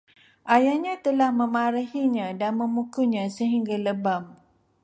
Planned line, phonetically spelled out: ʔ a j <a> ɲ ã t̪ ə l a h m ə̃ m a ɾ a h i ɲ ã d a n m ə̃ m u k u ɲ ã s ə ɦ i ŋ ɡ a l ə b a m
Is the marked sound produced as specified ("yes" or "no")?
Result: yes